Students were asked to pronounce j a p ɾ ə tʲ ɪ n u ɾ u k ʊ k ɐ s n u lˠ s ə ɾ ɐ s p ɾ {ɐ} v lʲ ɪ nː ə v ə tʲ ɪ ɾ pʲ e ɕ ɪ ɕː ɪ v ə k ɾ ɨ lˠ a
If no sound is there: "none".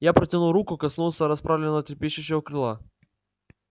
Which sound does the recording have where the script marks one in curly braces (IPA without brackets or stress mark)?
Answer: a